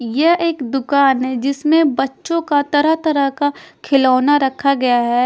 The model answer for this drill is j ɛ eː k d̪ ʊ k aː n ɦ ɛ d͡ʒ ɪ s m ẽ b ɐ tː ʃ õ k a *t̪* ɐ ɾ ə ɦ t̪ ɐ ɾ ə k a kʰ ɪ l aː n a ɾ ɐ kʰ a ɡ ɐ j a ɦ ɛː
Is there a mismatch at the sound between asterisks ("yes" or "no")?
no